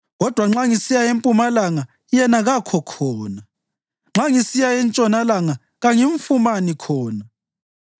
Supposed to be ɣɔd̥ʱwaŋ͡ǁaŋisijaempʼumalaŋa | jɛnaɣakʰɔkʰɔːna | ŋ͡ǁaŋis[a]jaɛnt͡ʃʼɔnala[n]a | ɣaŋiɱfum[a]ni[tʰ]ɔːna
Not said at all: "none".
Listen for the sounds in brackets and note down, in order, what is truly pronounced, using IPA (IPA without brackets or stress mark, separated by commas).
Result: i, ŋ, a, kʰ